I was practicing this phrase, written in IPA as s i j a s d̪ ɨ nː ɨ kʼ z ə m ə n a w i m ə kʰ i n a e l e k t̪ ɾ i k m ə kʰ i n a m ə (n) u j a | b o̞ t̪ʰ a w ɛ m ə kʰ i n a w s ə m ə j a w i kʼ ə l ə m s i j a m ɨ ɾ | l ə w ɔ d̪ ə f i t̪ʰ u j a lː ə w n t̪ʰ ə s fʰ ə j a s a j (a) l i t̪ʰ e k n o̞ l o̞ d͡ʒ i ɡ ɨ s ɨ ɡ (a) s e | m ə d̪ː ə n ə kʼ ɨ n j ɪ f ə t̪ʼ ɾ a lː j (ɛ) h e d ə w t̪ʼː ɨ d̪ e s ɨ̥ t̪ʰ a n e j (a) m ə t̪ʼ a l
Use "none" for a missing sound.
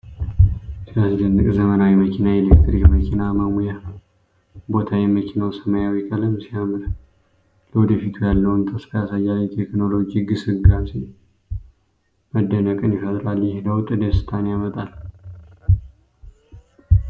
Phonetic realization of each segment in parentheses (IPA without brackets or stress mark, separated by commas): m, a, a, ɛ, a